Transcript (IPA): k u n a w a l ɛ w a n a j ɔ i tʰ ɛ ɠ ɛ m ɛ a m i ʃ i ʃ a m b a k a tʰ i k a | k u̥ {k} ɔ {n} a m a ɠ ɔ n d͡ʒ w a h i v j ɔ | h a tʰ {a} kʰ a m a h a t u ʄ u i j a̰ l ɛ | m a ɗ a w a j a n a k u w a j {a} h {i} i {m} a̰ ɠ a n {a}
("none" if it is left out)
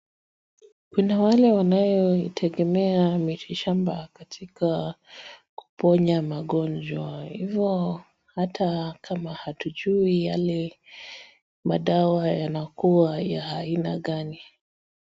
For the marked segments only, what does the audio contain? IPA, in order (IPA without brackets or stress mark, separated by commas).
p, ɲ, a, a, a, n, i